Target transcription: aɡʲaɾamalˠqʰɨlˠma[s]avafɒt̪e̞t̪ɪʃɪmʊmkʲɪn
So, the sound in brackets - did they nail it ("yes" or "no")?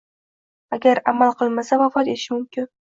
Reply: yes